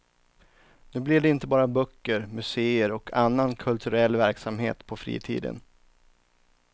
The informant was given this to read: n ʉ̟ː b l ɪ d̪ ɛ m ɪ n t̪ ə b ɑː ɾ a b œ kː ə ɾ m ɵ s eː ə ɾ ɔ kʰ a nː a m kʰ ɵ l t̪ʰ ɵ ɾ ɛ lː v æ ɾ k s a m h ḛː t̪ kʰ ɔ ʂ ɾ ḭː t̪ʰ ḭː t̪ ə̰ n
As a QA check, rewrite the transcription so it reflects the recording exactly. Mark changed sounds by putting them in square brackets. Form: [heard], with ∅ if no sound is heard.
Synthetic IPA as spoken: n ʉ̟ː b l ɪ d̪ ɛ [∅] ɪ n t̪ ə b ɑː ɾ a b œ kː ə ɾ m ɵ s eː ə ɾ ɔ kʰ a nː a [n] kʰ ɵ l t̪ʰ ɵ ɾ ɛ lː v æ ɾ k s a m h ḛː t̪ [pʰ] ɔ [f] ɾ ḭː t̪ʰ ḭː [d̪] ə̰ n